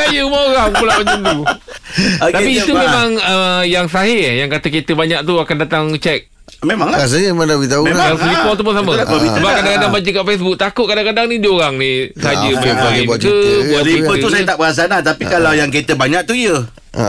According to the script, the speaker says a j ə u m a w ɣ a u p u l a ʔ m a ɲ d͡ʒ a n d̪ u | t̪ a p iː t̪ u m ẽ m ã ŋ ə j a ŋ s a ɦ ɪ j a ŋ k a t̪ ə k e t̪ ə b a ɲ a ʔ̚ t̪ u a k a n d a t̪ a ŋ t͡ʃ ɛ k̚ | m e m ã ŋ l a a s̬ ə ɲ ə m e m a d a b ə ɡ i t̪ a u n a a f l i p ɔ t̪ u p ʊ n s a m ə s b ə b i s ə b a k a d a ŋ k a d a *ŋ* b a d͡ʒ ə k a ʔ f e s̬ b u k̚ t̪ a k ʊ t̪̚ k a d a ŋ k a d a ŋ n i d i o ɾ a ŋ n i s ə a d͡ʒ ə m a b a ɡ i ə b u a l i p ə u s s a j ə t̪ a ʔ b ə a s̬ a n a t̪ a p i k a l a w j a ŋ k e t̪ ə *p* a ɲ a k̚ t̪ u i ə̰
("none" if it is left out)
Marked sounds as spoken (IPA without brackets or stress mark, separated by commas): ŋ, b